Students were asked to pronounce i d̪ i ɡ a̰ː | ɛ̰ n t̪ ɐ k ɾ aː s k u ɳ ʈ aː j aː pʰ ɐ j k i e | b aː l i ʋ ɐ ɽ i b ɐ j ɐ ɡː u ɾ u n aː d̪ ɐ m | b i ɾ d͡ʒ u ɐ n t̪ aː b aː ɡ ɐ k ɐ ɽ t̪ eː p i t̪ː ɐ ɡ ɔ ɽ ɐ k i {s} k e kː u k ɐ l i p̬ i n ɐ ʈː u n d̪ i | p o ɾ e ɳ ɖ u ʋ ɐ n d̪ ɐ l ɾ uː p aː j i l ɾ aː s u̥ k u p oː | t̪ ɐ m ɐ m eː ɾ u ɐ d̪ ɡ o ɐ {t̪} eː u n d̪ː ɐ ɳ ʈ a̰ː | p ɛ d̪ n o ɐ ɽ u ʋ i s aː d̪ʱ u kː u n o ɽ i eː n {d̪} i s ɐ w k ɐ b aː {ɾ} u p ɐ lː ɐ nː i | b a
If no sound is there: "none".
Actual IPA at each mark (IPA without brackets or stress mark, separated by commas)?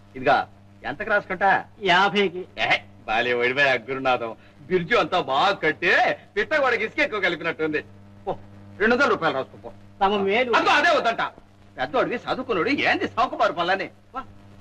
s, d̪, d̪, ɾ